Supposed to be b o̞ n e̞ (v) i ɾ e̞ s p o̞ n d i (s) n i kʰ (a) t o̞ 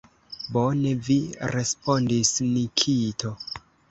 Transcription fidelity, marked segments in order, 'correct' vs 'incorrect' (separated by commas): correct, correct, incorrect